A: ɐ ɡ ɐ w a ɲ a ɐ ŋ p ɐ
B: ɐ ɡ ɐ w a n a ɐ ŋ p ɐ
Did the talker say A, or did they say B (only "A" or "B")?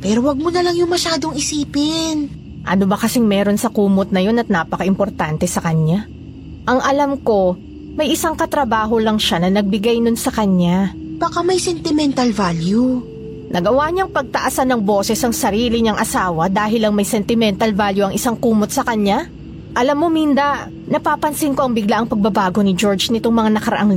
A